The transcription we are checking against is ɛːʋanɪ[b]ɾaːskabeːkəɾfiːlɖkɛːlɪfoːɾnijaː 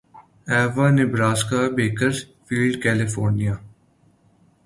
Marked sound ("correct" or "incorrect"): correct